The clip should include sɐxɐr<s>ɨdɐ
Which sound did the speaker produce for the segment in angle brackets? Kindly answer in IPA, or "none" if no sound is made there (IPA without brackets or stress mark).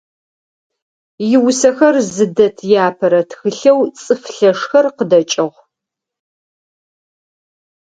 z